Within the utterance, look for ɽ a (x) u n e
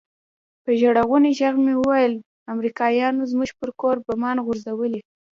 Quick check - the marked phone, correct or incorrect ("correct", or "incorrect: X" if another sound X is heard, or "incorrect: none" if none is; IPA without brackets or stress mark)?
incorrect: ɣ